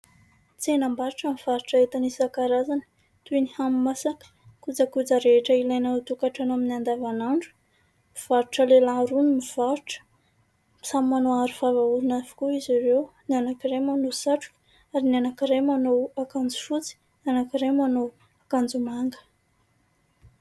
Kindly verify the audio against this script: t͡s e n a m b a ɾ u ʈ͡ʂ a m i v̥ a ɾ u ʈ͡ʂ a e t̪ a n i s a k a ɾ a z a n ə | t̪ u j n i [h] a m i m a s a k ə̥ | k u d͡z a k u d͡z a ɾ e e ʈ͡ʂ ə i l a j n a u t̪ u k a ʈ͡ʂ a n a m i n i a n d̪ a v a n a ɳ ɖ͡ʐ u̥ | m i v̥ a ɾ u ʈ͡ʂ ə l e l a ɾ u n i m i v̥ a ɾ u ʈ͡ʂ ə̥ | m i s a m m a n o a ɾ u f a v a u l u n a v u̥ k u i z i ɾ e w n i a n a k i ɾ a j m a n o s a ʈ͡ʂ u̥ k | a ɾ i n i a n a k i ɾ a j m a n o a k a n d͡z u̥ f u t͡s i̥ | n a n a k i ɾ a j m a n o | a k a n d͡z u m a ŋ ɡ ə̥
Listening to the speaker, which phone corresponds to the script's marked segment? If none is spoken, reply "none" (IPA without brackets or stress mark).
h